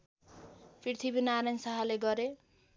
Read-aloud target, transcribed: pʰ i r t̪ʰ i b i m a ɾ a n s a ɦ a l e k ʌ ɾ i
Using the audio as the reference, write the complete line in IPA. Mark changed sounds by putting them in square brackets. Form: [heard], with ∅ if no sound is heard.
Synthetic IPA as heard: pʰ i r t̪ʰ i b i [n] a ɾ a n s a ɦ a l e [ɡ] ʌ ɾ [e]